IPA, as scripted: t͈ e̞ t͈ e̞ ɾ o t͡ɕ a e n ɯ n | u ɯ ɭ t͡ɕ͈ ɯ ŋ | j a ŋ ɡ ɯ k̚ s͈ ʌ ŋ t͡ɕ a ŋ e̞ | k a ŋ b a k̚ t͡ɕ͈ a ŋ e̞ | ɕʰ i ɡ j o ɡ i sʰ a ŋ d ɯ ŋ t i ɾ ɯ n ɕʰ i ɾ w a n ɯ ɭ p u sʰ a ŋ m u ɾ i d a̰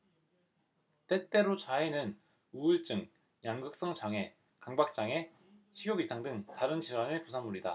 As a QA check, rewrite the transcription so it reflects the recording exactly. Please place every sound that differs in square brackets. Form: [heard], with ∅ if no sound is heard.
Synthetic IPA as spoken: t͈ e̞ t͈ e̞ ɾ o t͡ɕ a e n ɯ n | u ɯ ɭ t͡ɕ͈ ɯ ŋ | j a ŋ ɡ ɯ k̚ s͈ ʌ ŋ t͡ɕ a ŋ e̞ | k a ŋ b a k̚ t͡ɕ͈ a ŋ e̞ | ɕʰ i ɡ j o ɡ i sʰ a ŋ d ɯ ŋ t [a] ɾ ɯ n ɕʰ i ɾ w a n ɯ ɭ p u sʰ a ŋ m u ɾ i d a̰